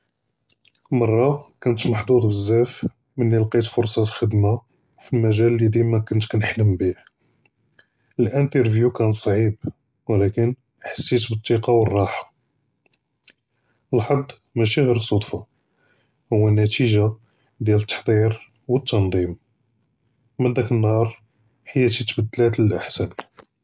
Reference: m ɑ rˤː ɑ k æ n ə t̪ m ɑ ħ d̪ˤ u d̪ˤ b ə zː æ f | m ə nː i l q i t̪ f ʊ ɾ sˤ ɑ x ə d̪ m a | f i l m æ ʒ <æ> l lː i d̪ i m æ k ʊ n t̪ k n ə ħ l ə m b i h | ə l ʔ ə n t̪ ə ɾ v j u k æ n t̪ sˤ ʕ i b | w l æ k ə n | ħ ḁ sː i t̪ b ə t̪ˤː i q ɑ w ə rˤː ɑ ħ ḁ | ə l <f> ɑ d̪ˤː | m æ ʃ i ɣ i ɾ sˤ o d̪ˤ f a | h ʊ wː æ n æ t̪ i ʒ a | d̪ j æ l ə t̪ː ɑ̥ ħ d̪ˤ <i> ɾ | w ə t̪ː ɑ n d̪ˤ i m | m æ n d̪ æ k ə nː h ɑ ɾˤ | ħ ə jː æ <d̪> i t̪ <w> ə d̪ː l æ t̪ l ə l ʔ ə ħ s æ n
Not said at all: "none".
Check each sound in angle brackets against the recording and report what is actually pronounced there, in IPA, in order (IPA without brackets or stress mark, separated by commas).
æ, ħ, i, t̪, b